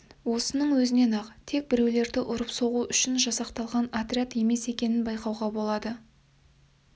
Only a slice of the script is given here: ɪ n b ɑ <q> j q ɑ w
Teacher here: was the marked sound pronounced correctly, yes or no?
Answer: no